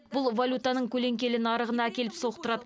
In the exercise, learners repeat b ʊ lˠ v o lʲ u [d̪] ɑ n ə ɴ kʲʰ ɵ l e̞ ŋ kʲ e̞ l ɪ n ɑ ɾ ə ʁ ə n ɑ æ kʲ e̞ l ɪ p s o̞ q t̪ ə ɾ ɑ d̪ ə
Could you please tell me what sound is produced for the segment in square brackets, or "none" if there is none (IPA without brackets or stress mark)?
t̪